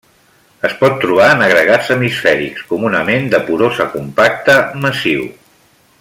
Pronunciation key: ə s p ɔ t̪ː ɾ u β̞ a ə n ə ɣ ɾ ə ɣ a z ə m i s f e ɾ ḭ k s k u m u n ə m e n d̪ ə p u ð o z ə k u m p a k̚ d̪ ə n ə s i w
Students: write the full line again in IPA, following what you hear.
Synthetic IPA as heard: ə s p ɔ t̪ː ɾ u β̞ a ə n ə ɣ ɾ ə ɣ a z ə m i s f ɛ ɾ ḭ k s k u m u n ə m e n d̪ ə p u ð o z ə k u m p a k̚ t̪ ə m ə s i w

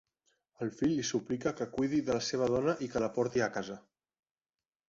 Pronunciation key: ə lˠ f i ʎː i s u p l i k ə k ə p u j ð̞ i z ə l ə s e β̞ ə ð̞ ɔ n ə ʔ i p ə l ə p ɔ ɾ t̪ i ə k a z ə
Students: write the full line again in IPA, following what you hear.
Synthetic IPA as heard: ə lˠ f i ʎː i s u p l i k ə k ə k u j ð̞ i ð ə l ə s e β̞ ə ð̞ ɔ n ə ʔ i k ə l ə p ɔ ɾ t̪ i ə k a z ə

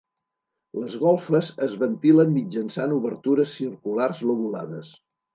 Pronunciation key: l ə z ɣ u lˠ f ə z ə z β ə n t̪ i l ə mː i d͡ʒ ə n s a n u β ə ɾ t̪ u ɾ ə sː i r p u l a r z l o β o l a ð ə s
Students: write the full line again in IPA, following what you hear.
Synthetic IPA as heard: l ə z ɣ ɔ lˠ f ə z ə z β ə n t̪ i l ə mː i d͡ʒ ə n s a n u β ə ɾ t̪ u ɾ ə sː i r k u l a r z l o β u l a ð ə s

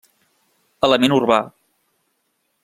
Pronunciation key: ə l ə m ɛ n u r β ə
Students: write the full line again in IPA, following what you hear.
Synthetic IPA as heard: ə l ə m e n u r β a

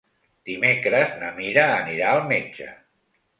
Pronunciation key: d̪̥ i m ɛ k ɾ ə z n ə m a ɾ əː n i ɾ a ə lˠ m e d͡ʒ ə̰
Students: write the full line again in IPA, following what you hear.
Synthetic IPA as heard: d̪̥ i m e k ɾ ə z n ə m i ɾ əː n i ɾ a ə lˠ m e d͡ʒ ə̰

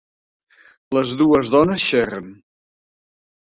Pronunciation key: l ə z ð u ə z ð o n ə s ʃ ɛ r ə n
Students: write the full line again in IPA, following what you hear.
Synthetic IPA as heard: l ə z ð u ə z ð ɔ n ə s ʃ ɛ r ə n

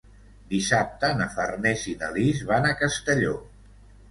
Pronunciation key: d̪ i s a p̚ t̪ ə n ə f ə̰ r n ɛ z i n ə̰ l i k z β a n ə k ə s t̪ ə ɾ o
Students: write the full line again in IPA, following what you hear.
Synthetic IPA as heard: d̪ i s a p̚ t̪ ə n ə f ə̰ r n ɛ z i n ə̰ l i z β a n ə k ə s t̪ ə ʎ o

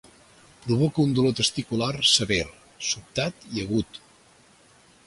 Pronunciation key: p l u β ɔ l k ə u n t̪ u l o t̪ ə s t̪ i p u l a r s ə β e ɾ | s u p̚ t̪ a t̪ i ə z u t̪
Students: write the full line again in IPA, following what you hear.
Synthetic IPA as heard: p ɾ u β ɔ k ə u n d̪ u l o t̪ ə s t̪ i k u l a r s ə β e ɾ | s u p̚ t̪ a t̪ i ə ɣ u t̪

